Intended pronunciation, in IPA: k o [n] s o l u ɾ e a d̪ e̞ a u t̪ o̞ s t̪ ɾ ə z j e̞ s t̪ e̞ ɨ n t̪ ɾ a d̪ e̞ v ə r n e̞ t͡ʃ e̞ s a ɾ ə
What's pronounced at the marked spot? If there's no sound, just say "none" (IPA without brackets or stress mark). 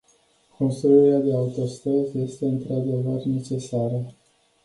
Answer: n